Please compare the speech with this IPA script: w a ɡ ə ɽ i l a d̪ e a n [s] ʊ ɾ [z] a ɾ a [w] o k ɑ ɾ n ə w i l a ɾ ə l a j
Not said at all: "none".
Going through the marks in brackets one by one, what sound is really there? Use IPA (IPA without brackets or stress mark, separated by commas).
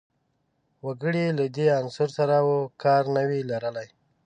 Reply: s, s, w